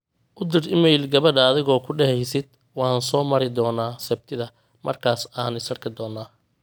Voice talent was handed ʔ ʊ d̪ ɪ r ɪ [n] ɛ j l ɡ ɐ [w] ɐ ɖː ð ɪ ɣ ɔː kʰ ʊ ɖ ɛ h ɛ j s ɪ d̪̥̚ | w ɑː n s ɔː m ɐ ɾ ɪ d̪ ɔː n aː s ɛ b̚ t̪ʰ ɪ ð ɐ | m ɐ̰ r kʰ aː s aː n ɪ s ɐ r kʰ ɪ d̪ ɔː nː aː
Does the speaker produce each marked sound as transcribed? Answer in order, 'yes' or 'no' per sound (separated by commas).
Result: no, no